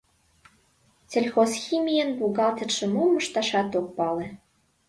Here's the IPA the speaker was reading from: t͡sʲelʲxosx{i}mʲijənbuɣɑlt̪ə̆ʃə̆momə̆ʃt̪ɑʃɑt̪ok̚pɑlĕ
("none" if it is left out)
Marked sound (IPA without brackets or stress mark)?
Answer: i